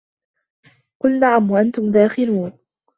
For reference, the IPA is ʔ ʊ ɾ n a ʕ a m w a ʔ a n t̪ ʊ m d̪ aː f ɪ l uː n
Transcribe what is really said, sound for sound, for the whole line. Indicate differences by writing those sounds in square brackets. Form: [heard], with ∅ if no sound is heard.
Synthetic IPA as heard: [q] ʊ [l] n a ʕ a m w a ʔ a n t̪ ʊ m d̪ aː [x] ɪ l uː n

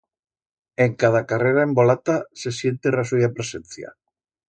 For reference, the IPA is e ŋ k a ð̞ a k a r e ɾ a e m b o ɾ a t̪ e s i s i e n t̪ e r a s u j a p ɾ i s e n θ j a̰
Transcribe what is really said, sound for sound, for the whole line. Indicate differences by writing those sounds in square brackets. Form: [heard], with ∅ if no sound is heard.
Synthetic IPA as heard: e ŋ k a ð̞ a k a r e ɾ a e m b o [l] a t̪ [a] s [e] s [j] e n t̪ e r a s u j a p ɾ [e] s e n θ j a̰

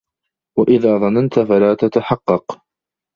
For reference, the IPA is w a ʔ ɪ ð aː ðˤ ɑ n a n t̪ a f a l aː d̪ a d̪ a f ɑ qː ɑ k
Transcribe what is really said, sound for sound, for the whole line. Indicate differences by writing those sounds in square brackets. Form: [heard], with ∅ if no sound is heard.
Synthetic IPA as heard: w a ʔ ɪ ð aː ðˤ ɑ n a n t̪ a f a l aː [t̪] a [t̪] a [ħ] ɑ qː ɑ [q]

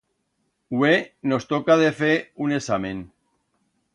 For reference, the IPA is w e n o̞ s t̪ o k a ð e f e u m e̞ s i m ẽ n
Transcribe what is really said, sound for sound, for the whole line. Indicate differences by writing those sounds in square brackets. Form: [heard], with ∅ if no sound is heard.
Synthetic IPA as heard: w e n o̞ s t̪ o k a ð e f e u [n] e̞ s [a] m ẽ n

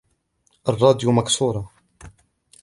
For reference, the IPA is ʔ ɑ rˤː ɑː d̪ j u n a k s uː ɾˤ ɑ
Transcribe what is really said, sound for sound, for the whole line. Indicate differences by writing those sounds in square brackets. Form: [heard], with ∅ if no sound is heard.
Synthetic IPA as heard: ʔ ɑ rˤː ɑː d̪ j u [m] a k s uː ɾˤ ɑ

